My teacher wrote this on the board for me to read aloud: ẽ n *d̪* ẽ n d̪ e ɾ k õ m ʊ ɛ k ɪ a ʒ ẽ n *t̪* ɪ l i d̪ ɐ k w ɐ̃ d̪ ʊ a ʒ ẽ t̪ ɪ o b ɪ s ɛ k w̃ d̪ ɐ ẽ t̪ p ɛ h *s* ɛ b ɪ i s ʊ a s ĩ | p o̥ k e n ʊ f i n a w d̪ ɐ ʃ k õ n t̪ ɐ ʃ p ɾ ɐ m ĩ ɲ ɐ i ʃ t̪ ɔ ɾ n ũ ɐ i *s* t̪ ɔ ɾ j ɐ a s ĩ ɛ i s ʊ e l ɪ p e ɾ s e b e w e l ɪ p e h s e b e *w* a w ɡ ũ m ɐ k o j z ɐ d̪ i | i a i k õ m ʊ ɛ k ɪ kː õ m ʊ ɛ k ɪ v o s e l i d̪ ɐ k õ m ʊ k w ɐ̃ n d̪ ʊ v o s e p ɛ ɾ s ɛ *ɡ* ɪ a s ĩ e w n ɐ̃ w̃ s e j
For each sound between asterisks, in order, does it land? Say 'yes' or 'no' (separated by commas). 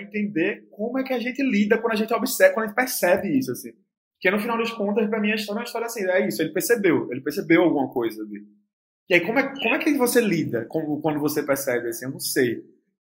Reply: no, yes, yes, no, yes, no